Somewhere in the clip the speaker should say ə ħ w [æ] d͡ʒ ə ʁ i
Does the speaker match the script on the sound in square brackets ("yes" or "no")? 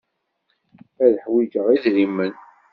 no